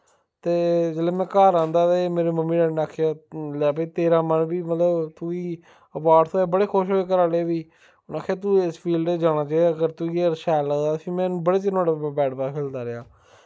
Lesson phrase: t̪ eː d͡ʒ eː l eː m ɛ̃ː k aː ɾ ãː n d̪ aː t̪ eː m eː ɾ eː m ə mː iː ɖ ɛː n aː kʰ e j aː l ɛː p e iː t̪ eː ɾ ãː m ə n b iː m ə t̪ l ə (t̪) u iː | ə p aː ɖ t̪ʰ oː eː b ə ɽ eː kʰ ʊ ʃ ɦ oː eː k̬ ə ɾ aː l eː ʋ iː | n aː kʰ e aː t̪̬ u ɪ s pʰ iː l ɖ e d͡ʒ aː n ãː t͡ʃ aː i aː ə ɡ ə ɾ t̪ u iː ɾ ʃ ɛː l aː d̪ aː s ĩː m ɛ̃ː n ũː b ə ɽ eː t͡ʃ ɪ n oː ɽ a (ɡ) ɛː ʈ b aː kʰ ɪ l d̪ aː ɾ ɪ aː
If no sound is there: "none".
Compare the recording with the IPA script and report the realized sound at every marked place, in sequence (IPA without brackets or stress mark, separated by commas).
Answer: t̪, b